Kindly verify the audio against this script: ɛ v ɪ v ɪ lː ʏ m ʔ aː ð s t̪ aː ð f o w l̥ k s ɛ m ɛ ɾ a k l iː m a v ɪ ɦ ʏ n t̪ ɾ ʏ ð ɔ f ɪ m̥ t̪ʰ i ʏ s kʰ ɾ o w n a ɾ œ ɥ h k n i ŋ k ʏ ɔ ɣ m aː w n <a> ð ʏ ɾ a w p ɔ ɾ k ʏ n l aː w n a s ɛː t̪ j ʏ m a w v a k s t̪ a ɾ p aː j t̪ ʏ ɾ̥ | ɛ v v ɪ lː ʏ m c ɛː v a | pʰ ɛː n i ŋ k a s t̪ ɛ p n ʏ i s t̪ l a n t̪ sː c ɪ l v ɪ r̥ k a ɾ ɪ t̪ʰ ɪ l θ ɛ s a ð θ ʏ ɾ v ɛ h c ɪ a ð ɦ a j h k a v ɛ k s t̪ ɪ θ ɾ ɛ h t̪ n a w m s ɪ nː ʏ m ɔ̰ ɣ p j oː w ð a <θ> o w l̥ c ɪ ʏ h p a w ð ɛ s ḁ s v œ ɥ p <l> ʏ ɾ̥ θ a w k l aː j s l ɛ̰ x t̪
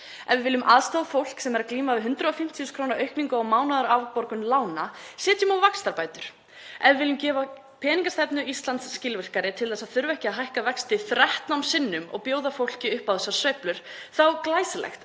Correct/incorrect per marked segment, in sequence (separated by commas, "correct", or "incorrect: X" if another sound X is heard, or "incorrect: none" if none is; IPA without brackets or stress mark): correct, incorrect: f, correct